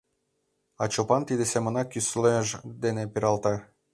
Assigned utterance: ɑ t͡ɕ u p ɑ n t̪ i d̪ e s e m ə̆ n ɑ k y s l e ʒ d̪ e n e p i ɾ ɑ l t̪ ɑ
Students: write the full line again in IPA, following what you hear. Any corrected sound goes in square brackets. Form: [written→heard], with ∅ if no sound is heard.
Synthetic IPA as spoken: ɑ t͡ɕ [u→o] p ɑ n t̪ i d̪ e s e m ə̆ n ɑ k y s l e ʒ d̪ e n e p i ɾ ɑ l t̪ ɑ